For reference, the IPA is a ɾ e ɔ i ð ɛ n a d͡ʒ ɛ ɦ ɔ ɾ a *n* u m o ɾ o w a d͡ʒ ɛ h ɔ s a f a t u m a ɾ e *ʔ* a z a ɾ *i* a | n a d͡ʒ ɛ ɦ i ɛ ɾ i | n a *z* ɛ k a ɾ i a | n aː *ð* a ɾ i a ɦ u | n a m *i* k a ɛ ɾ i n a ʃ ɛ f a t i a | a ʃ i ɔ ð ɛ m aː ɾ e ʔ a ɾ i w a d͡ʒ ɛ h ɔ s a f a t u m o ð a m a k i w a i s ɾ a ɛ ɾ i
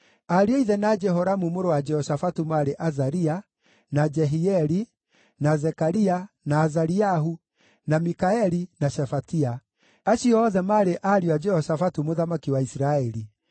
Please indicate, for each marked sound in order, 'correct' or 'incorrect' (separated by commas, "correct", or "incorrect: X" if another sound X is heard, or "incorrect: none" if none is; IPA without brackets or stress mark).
incorrect: m, correct, correct, correct, incorrect: z, correct